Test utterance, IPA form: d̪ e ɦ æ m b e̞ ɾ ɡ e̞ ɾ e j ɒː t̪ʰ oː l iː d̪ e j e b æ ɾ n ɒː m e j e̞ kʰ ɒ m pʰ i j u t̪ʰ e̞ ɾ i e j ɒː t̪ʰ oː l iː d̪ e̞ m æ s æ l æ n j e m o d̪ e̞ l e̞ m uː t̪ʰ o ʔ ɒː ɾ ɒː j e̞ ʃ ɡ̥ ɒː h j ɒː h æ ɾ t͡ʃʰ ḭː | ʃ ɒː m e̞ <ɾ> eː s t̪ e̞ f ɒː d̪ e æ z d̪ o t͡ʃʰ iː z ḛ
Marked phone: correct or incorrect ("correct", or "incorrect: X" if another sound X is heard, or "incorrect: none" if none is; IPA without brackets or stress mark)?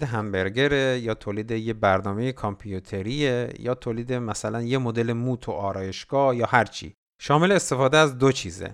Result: incorrect: l